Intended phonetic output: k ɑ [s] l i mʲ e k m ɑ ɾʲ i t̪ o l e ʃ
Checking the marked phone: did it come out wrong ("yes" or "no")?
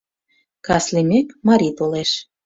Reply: no